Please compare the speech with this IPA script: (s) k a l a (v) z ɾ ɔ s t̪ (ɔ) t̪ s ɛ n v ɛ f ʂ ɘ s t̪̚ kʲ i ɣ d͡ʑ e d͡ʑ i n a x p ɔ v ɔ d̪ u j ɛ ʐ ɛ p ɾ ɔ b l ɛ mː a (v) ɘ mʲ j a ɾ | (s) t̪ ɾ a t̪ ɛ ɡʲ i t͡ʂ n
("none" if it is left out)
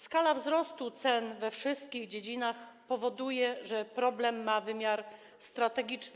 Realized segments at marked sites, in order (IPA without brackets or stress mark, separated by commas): s, v, u, v, s